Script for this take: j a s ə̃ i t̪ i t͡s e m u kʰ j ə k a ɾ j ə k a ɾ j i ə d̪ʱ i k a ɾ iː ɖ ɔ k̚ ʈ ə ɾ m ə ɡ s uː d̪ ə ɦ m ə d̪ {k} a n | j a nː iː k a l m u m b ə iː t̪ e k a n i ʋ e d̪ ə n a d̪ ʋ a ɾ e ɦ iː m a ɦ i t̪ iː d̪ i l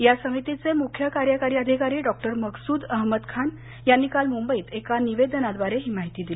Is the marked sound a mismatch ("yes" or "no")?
yes